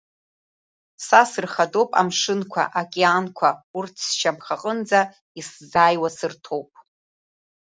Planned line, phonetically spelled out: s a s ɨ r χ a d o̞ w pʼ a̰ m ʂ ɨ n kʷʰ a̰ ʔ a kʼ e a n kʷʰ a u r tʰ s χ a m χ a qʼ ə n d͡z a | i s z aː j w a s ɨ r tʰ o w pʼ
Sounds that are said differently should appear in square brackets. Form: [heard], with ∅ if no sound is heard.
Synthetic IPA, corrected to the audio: s a s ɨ r χ a d o̞ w pʼ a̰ m ʂ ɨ n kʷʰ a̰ ʔ a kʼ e a n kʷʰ a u r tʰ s [ʃ] a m χ a qʼ ə n d͡z a | i s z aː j w a s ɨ r tʰ o w pʼ

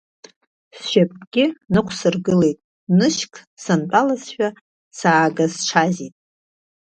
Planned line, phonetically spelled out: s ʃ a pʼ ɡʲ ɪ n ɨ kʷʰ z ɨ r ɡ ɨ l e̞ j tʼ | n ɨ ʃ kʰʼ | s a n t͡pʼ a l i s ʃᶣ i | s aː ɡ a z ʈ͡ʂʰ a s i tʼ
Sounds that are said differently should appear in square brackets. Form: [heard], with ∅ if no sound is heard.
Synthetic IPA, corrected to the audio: s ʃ a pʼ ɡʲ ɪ n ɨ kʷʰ [s] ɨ r ɡ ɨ l e̞ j tʼ | n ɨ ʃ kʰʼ | s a n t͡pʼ a l [a] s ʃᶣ [a] | s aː ɡ a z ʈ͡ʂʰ a [z] i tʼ

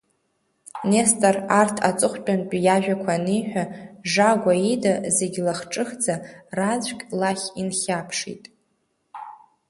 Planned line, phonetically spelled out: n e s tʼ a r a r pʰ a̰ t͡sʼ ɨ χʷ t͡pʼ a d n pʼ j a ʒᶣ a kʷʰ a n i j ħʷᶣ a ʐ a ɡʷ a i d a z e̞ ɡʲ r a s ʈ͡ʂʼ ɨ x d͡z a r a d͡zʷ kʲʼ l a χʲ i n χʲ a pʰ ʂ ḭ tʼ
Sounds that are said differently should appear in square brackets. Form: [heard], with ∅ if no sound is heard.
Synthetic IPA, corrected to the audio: n e s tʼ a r a r [tʰ] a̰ t͡sʼ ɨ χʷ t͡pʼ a [∅] n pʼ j a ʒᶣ a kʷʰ a n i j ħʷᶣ a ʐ a ɡʷ a i d a z e̞ ɡʲ [l] a [χ] ʈ͡ʂʼ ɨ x d͡z a r a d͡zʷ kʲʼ l a χʲ i n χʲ a pʰ ʂ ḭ tʼ

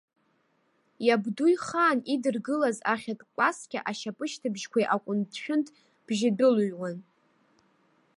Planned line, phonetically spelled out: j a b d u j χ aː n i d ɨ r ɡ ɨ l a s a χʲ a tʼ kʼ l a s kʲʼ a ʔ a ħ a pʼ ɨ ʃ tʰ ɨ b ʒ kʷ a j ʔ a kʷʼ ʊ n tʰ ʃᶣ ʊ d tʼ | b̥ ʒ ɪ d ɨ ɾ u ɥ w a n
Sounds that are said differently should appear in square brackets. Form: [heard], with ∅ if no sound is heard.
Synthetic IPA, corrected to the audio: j a b d u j χ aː n i d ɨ r ɡ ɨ l a [z] a χʲ a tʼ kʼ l a s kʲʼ a ʔ a [ʃ] a pʼ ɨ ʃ tʰ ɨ b ʒ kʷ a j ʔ a kʷʼ ʊ n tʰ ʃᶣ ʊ [n] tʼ | b̥ ʒ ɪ d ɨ [l] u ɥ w a n

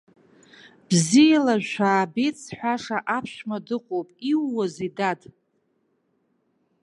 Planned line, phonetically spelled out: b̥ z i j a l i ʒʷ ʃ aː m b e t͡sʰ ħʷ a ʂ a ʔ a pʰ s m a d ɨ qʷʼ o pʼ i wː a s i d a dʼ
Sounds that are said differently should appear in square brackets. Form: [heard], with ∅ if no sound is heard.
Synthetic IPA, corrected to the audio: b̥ z i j a l [a] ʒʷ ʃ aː [∅] b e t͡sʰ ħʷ a ʂ a ʔ a pʰ [ʃ] m a d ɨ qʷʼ o pʼ i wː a [z] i d a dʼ

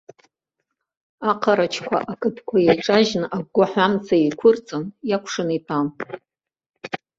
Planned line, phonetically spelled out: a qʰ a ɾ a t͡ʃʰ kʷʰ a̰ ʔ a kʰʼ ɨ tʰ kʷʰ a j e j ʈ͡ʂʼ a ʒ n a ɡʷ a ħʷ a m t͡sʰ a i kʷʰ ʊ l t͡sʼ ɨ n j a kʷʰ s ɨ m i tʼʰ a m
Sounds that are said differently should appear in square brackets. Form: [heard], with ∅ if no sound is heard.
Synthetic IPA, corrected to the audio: a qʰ a ɾ a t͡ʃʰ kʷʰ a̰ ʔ a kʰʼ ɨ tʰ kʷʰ a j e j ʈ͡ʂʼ a ʒ n a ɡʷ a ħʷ a m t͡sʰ a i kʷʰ ʊ [r] t͡sʼ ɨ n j a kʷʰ [ʂ] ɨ [n] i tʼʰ a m

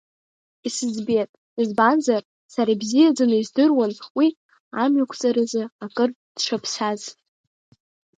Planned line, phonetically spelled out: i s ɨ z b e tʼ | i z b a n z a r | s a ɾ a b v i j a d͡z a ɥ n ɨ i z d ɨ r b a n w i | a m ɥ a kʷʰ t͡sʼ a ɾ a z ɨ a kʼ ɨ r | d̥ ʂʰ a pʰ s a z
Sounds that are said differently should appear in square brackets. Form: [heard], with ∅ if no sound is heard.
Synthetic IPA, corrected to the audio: i s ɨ z b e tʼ | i z b a n z a r | s a ɾ a b [z] i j a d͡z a [∅] n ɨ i z d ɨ r [w] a n w i | a m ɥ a kʷʰ t͡sʼ a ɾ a z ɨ a kʼ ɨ r | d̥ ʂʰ a pʰ s a z

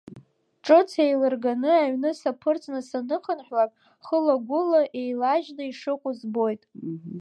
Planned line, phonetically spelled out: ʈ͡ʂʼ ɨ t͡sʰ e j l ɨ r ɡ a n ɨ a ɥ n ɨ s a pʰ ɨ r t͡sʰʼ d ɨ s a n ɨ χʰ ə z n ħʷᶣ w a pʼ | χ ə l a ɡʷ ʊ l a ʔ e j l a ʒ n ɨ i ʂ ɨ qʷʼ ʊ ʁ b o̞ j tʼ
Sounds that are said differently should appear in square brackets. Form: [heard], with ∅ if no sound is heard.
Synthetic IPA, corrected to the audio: ʈ͡ʂʼ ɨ t͡sʰ e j l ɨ r ɡ a n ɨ a ɥ n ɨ s a pʰ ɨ r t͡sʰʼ [n] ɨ s a n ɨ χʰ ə [∅] n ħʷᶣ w a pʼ | χ ə l a ɡʷ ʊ l a ʔ e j l a ʒ n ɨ i ʂ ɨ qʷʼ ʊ [z] b o̞ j tʼ

